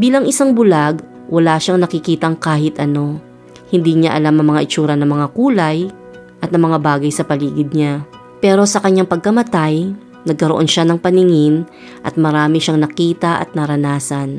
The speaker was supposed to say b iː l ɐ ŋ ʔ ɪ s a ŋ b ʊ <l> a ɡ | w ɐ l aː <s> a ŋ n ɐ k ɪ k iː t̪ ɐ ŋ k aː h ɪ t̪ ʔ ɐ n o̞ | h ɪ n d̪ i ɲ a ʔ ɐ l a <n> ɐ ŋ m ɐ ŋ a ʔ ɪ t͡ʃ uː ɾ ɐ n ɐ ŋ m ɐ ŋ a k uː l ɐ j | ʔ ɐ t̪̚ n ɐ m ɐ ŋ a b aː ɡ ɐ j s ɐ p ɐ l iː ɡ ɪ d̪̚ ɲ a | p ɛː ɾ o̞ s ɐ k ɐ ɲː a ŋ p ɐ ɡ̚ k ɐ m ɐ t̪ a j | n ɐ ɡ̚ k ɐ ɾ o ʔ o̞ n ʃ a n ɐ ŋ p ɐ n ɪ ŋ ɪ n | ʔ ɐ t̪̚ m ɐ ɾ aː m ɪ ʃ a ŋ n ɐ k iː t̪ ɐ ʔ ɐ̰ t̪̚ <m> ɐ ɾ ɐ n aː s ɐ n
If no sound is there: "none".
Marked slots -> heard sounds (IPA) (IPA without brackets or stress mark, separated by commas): l, ʃ, m, n